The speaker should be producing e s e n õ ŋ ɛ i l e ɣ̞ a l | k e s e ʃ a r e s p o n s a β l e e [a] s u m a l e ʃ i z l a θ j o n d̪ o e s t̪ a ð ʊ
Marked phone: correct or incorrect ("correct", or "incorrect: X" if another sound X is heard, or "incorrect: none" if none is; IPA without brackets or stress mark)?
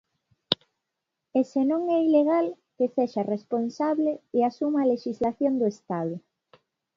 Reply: correct